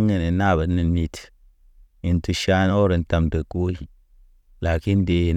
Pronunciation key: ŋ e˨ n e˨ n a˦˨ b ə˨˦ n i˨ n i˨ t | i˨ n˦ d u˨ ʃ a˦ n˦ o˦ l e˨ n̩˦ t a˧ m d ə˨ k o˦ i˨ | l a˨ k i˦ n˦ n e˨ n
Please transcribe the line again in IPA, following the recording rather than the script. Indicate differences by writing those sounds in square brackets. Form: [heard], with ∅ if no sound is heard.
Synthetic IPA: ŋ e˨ n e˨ n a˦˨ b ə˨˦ n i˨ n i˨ t | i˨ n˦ [t] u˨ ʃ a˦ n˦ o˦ [ɾ] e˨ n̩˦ t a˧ m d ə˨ k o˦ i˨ | l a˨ k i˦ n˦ [d] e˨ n